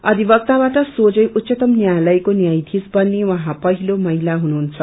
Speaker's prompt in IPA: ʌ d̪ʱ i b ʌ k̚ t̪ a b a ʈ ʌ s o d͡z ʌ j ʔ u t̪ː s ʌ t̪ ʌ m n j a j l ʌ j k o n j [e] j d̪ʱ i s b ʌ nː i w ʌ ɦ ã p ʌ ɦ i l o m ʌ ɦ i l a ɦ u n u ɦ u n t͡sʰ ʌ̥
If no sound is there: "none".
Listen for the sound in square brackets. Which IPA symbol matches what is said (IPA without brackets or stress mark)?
a